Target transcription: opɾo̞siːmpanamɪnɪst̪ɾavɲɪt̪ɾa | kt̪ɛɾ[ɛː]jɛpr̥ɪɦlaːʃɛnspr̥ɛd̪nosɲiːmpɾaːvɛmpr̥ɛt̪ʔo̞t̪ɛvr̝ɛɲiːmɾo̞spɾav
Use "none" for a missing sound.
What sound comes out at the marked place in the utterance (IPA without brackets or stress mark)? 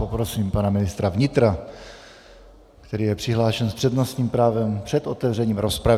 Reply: iː